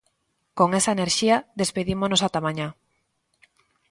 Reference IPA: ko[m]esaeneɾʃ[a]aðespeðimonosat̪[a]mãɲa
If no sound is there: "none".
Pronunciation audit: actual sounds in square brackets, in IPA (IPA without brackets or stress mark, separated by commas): ŋ, i, a